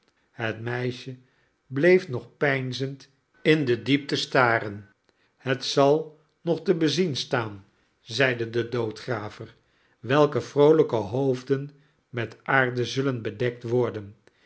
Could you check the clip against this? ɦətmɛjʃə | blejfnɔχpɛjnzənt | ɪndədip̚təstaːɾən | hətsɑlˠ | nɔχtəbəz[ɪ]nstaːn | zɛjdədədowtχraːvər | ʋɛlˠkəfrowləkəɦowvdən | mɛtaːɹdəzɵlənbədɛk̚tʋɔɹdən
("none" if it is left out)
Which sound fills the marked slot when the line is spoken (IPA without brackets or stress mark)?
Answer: i